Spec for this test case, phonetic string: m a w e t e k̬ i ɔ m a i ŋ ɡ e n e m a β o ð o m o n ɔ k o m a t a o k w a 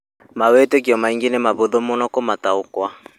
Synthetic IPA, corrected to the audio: m a w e t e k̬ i ɔ m a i ŋ ɡ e n e m a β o ð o m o n ɔ k o m a t a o k w a

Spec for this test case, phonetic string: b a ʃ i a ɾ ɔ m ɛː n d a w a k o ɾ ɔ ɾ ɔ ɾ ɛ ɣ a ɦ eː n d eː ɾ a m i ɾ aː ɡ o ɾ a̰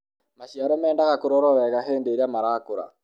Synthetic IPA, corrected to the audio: m a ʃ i a ɾ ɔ m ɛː n d a ɣ a k o ɾ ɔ ɾ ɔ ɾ ɛ ɣ a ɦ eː n d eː ɾ a m a ɾ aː k o ɾ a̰

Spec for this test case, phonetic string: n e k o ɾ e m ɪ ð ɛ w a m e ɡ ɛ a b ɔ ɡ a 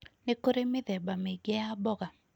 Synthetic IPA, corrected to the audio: n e k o ɾ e m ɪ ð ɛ b a m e ɡ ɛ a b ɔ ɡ a

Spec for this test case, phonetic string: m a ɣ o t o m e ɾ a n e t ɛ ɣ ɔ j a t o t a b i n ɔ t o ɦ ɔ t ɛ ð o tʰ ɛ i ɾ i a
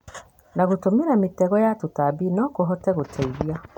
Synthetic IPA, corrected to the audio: n a ɣ o t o m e ɾ a m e t ɛ ɣ ɔ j a t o t a b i n ɔ k o ɦ ɔ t ɛ ɣ o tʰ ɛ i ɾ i a

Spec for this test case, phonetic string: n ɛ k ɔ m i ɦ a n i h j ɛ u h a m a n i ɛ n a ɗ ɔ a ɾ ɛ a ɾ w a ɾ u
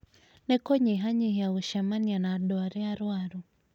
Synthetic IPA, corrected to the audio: n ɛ k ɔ ɲ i ɦ a ɲ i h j a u ʃ a m a n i a n a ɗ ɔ a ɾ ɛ a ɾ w a ɾ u

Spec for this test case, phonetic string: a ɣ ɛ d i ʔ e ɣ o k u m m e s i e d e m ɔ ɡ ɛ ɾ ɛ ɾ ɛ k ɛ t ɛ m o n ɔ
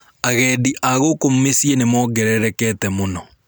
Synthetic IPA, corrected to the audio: a ɣ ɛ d i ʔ a ɣ o k o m m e s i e n e m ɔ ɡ ɛ ɾ ɛ ɾ ɛ k ɛ t ɛ m o n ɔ

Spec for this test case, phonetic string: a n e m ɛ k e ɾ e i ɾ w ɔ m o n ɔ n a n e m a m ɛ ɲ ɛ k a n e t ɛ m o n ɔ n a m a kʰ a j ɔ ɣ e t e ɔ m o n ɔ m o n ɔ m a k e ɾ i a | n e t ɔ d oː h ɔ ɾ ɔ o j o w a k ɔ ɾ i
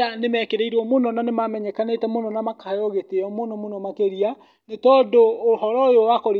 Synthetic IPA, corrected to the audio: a n e m ɛ k e ɾ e i ɾ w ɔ m o n ɔ n a n e m a m ɛ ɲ ɛ k a n e t ɛ m o n ɔ n a m a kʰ a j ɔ ɣ e t e ɔ m o n ɔ m o n ɔ m a k e ɾ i a | n e t ɔ d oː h ɔ ɾ ɔ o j o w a k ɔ ɾ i

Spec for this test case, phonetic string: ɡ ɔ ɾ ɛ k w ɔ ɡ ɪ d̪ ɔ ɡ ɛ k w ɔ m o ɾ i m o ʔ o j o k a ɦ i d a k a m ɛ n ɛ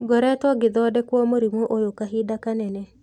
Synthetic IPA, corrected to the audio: ɡ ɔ ɾ ɛ t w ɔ ɡ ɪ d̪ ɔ d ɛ k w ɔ m o ɾ i m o ʔ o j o k a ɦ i d a k a n ɛ n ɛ

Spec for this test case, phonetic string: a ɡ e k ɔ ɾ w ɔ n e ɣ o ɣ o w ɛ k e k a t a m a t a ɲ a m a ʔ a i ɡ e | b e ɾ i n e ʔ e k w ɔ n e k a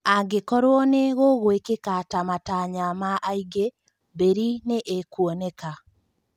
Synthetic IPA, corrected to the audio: a ɡ e k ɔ ɾ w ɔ n e ɣ o ɣ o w e k e k a t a m a t a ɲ a m a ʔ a i ɡ e | b e ɾ i n e ʔ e k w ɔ n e k a

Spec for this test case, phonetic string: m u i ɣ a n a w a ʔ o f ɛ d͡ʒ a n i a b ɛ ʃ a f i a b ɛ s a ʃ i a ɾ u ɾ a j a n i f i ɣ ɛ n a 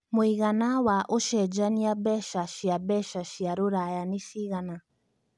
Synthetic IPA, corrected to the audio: m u i ɣ a n a w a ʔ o ʃ ɛ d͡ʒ a n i a b ɛ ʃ a ʃ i a b ɛ ʃ a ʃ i a ɾ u ɾ a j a n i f i ɣ a n a

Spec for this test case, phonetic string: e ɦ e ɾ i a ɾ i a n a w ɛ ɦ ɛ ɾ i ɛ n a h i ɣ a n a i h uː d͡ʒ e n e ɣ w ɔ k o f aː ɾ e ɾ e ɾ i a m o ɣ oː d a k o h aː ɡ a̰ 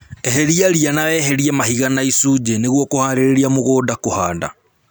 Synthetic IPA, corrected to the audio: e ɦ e ɾ i a ɾ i a n a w ɛ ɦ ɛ ɾ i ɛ m a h i ɣ a n a i s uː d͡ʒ e n e ɣ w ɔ k o h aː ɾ e ɾ e ɾ i a m o ɣ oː d a k o h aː d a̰

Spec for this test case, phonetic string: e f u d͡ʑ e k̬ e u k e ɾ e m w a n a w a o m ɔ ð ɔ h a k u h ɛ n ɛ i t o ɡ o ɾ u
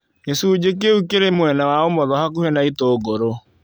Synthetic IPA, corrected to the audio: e s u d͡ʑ e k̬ e u k e ɾ e m w ɛ n a w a o m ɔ ð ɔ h a k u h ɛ n a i t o ɡ o ɾ o

